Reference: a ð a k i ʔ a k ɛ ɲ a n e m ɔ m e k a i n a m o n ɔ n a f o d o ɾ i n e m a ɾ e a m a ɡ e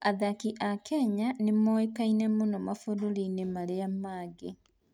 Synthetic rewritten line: a ð a k i ʔ a k ɛ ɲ a n e m ɔ e k a i n ɛ m o n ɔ m a f o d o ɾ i n e m a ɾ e a m a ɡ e